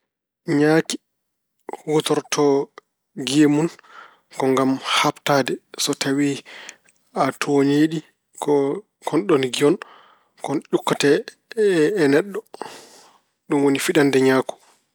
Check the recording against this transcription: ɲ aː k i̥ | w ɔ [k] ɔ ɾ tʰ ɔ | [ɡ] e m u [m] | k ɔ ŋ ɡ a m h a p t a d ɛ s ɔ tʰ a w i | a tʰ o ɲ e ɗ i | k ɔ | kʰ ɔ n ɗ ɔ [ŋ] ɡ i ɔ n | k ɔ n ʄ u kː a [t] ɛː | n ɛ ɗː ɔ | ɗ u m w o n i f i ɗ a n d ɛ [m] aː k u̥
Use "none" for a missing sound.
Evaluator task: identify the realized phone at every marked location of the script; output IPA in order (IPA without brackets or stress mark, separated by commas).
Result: t, ɡ, n, n, t, ɲ